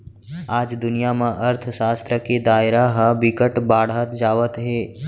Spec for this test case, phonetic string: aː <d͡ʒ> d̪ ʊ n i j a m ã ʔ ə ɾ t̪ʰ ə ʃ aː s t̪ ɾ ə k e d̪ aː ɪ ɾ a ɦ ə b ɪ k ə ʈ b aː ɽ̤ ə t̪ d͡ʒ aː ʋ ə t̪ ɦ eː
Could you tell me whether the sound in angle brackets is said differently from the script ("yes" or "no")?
no